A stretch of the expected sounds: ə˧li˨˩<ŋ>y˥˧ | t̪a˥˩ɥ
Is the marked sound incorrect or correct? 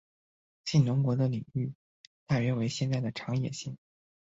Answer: correct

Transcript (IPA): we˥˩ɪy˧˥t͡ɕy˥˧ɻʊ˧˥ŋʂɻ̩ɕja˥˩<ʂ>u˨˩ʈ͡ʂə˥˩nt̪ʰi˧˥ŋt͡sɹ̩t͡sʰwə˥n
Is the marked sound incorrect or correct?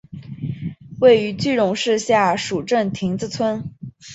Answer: correct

